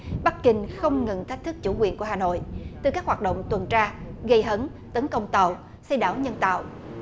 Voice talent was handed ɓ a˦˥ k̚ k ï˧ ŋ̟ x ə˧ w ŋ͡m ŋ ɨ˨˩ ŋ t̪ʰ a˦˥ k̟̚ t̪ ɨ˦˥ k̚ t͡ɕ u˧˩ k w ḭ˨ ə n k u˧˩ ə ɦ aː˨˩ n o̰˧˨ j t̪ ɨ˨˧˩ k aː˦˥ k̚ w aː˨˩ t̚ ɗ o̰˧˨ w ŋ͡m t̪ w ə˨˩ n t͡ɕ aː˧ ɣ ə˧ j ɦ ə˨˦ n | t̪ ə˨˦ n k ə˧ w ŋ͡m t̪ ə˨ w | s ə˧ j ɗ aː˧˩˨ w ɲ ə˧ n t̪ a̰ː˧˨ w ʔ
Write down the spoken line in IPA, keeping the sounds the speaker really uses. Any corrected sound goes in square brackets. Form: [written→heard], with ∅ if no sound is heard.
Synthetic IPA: ɓ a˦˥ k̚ k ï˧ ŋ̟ x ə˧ w ŋ͡m ŋ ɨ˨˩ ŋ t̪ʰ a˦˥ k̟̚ t̪ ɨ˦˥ k̚ t͡ɕ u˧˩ k w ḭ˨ ə n k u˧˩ ə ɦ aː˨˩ n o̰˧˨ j t̪ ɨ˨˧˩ k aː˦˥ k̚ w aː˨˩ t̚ ɗ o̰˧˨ w ŋ͡m t̪ w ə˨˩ n t͡ɕ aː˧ ɣ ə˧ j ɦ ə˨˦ n | t̪ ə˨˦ n k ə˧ w ŋ͡m t̪ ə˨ w | s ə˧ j ɗ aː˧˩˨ w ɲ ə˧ n t̪ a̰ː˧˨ w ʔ